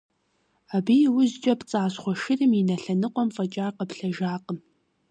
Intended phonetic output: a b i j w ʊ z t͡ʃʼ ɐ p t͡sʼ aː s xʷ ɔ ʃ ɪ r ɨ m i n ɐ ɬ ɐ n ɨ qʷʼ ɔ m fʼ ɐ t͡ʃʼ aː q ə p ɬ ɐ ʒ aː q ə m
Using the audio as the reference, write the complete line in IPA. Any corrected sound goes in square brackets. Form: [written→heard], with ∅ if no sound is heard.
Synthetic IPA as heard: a b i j w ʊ z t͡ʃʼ ɐ p t͡sʼ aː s [xʷ→χʷ] ɔ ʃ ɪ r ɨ m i n ɐ ɬ ɐ n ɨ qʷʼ ɔ m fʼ ɐ t͡ʃʼ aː q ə p ɬ ɐ ʒ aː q ə m